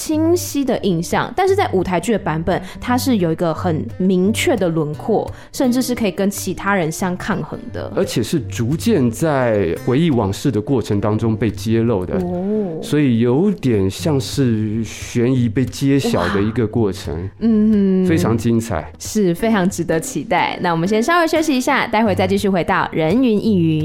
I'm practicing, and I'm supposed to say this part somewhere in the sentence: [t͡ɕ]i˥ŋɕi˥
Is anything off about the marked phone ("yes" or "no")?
yes